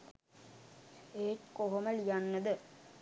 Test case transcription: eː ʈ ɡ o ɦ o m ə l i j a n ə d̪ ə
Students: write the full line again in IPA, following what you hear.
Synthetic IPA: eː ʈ k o ɦ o m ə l i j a nː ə d̪ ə